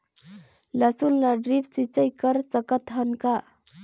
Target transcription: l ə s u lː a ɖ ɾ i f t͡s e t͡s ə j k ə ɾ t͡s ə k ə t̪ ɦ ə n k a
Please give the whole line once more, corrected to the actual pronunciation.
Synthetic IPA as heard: l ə s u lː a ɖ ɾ i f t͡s i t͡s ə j k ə ɾ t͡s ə k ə t̪ ɦ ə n k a